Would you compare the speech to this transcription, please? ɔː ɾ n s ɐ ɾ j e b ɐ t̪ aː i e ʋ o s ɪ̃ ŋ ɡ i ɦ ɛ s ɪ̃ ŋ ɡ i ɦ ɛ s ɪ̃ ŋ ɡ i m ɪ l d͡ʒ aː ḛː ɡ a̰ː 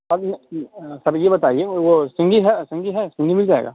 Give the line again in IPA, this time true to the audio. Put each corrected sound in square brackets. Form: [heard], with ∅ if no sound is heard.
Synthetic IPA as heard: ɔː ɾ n s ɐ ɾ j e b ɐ t̪ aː i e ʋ o s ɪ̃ ŋ ɡ i ɦ ɛ s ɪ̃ ŋ ɡ i ɦ ɛ s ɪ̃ ŋ ɡ i m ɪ l d͡ʒ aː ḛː ɡ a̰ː